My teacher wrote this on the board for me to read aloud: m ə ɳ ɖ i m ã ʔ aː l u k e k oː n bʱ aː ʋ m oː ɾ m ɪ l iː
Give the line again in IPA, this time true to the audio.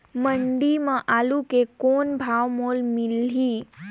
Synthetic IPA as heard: m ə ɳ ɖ i m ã ʔ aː l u k e k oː n bʱ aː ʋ m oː l m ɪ l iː